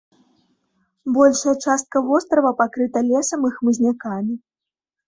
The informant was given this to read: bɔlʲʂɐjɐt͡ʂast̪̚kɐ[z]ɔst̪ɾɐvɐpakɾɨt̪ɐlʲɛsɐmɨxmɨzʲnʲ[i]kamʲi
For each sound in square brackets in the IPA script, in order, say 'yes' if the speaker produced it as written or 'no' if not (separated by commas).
no, no